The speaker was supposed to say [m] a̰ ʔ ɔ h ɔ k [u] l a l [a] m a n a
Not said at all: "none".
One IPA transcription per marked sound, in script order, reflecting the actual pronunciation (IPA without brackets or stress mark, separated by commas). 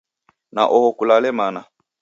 n, u, ɛ